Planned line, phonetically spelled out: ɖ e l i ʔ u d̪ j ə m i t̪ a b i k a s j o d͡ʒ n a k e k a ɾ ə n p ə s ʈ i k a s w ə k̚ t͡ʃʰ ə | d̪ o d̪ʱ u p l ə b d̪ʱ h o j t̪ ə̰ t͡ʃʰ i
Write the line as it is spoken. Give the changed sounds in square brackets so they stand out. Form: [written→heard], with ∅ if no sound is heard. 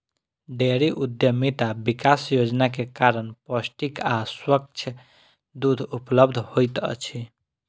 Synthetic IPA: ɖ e [l→ɾ] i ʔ u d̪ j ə m i t̪ a b i k a s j o d͡ʒ n a k e k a ɾ ə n p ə s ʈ i k a s w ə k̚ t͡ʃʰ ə | d̪ [o→u] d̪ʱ u p l ə b d̪ʱ h o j t̪ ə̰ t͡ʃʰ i

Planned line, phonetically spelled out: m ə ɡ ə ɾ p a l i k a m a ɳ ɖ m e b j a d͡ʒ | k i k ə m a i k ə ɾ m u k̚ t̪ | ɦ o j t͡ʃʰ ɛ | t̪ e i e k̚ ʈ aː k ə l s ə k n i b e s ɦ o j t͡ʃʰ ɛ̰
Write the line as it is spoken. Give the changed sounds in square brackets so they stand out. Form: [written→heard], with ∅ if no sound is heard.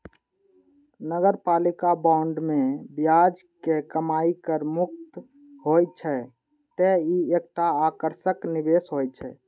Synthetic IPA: [m→n] ə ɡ ə ɾ p a l i k a [m→b] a ɳ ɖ m e b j a d͡ʒ | k [i→e] k ə m a i k ə ɾ m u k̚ t̪ | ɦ o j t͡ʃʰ ɛ | t̪ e i e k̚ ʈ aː k ə [l→ɾ] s ə k n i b e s ɦ o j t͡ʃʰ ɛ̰

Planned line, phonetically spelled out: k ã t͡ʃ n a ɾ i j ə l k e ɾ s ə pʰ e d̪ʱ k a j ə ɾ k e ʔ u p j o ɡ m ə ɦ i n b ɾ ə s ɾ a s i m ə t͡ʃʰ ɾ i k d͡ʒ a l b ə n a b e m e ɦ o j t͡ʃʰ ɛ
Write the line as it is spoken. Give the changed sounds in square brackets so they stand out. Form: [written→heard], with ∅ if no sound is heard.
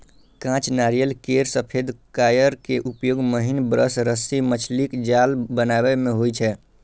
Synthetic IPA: k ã t͡ʃ n a ɾ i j ə l k e ɾ s ə pʰ e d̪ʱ k a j ə ɾ k e ʔ u p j o ɡ m ə ɦ i n b ɾ ə s ɾ [a→ə] s i m ə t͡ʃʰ [ɾ→l] i k d͡ʒ a l b ə n a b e m e ɦ o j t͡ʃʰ ɛ

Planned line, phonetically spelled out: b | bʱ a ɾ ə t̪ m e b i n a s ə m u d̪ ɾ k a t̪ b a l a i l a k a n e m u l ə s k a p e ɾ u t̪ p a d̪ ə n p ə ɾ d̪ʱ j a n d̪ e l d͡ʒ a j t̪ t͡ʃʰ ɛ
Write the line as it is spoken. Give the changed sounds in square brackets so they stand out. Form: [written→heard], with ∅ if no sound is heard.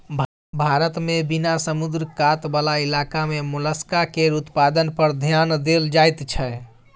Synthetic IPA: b | bʱ a ɾ ə t̪ m e b i n a s ə m u d̪ ɾ k a t̪ b a l a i l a k a [n→m] e m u l ə s k a [p→k] e ɾ u t̪ p a d̪ ə n p ə ɾ d̪ʱ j a n d̪ e l d͡ʒ a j t̪ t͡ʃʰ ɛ

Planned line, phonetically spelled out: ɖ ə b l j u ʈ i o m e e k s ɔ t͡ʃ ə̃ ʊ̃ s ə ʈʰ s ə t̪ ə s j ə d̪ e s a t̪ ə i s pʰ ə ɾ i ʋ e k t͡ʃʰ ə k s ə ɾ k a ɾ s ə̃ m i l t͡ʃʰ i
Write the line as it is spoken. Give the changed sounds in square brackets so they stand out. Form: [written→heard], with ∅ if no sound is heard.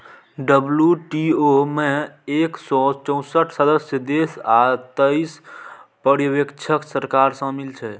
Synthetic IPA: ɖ ə b l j u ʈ i o m e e k s ɔ t͡ʃ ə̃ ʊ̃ s ə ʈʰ s ə [t̪→d̪] ə s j ə d̪ e s a t̪ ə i s [pʰ→p] ə ɾ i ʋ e k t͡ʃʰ ə k s ə ɾ k a ɾ s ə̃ m i l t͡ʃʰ [i→ɛ]

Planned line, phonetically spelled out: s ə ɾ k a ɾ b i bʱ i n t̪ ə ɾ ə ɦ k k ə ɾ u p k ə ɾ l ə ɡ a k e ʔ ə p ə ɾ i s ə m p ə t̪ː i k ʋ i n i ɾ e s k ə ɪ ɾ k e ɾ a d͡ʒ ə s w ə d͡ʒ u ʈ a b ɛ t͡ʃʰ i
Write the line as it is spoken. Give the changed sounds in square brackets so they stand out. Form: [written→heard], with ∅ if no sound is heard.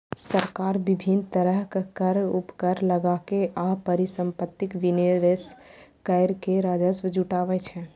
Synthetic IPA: s ə ɾ k a ɾ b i bʱ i n t̪ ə ɾ ə ɦ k k ə ɾ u p k ə ɾ l ə ɡ a k e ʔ [ə→a] p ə ɾ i s ə m p ə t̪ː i k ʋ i n [i→e] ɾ e s k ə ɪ ɾ k e ɾ a d͡ʒ ə s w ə d͡ʒ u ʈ a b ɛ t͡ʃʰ [i→ɛ]

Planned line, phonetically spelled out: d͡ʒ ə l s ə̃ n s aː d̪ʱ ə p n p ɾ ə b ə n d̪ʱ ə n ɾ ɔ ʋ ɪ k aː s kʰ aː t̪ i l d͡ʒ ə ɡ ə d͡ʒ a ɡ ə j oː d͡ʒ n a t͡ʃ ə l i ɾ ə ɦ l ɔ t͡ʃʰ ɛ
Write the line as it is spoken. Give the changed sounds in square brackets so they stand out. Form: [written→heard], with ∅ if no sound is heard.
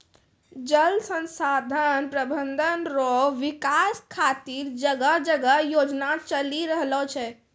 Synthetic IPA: d͡ʒ ə l s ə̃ n s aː d̪ʱ ə [p→∅] n p ɾ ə b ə n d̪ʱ ə n ɾ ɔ ʋ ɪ k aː s kʰ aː t̪ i [l→ɾ] d͡ʒ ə ɡ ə d͡ʒ [a→ə] ɡ ə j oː d͡ʒ n a t͡ʃ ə l i ɾ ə ɦ l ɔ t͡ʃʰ ɛ

